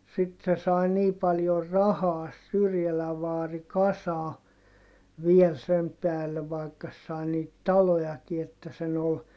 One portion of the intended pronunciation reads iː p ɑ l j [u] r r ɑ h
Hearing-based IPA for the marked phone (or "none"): o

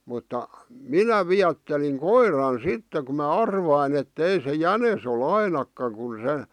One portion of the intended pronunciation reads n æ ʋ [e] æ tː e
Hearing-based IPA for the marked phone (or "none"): i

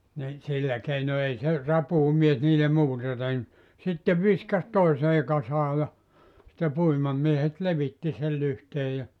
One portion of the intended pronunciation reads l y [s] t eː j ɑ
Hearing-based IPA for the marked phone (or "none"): h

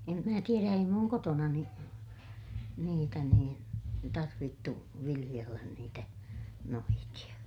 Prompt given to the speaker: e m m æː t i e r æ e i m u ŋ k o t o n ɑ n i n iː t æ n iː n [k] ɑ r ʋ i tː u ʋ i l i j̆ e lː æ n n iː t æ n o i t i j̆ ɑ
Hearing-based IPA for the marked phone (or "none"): t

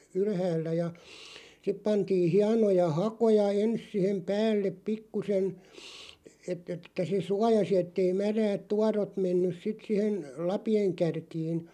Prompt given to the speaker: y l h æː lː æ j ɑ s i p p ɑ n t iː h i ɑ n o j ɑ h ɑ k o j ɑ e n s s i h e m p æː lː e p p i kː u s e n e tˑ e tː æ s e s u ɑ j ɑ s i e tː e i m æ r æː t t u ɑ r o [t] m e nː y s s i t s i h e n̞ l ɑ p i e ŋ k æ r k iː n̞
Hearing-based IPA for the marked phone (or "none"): t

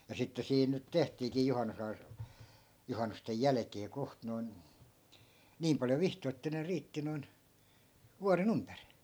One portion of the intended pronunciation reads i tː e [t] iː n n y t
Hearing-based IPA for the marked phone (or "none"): s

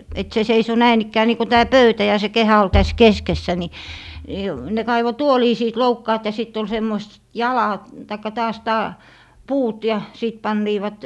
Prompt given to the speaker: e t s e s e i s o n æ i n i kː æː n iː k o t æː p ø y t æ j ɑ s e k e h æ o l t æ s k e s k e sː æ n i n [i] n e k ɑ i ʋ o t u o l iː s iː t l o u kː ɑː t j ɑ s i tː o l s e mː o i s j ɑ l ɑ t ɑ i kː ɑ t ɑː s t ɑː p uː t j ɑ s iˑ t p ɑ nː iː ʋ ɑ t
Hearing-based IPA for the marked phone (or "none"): i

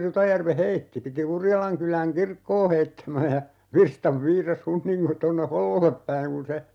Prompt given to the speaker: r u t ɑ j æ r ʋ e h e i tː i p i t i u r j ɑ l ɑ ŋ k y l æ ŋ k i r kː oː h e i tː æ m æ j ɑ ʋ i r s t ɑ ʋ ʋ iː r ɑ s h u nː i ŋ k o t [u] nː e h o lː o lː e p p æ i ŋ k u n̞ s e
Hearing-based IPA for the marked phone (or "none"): o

